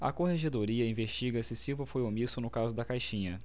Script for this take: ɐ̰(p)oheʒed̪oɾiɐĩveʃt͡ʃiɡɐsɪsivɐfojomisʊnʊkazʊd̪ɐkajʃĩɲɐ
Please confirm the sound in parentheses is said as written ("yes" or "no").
no